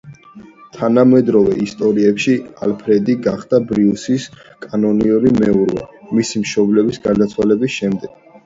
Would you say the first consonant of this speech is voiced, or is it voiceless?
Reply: voiceless